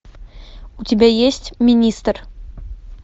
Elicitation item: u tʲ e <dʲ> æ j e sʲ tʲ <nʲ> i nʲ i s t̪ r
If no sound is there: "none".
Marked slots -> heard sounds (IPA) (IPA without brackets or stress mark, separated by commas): bʲ, mʲ